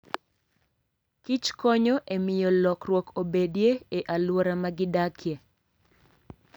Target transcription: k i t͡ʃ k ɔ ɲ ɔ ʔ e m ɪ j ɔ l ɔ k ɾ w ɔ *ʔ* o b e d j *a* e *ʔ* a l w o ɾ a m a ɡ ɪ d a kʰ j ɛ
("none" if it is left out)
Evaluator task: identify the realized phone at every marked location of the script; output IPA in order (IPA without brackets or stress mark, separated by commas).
k, e, ʔ